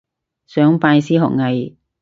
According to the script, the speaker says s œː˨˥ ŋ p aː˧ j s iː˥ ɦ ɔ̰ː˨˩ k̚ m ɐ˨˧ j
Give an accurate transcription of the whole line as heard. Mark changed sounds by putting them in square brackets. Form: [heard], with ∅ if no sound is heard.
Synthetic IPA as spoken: s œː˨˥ ŋ p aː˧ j s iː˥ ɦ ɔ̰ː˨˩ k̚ [ŋ] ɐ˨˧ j